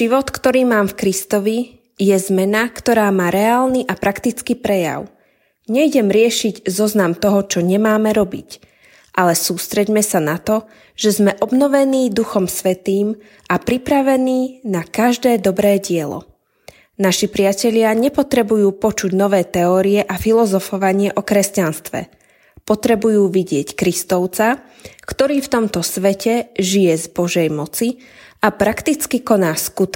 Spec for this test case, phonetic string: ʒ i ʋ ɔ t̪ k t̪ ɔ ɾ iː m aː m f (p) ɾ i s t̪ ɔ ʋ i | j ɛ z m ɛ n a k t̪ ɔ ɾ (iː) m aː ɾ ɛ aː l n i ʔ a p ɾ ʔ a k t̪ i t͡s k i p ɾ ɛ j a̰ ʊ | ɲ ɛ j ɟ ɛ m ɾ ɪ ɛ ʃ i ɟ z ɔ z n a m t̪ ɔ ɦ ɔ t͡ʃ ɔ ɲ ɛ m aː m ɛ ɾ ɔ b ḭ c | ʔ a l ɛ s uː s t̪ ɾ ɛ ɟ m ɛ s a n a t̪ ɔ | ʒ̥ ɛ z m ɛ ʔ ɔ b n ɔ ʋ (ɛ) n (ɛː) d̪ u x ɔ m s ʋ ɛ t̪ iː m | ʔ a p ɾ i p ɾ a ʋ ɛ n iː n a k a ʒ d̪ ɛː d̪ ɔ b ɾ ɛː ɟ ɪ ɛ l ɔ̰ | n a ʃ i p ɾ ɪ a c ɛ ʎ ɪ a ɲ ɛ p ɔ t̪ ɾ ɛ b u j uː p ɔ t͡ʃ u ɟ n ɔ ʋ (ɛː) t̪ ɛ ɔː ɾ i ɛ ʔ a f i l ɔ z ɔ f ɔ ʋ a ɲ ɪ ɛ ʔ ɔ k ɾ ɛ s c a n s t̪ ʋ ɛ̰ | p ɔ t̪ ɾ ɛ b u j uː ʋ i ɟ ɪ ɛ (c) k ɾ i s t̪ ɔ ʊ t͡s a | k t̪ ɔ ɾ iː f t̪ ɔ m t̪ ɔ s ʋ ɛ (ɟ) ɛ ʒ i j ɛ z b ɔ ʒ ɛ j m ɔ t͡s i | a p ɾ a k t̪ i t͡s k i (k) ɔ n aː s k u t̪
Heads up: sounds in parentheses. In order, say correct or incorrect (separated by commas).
incorrect, incorrect, correct, incorrect, correct, correct, incorrect, correct